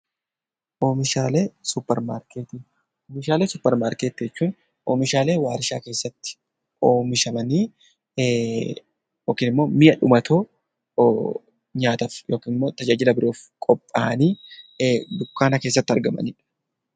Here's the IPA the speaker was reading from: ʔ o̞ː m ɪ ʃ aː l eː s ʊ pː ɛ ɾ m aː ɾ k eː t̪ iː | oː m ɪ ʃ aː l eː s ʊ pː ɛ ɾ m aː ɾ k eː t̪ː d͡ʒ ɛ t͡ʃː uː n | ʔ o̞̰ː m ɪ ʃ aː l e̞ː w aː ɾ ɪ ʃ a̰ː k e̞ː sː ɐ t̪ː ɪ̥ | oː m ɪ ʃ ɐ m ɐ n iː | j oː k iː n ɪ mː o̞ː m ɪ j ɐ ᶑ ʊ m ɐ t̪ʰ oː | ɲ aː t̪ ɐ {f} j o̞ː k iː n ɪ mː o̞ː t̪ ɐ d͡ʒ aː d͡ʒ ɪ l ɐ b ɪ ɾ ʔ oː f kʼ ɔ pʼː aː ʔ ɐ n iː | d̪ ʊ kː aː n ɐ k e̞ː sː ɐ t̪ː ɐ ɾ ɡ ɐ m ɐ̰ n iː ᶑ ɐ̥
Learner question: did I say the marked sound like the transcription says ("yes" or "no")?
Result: yes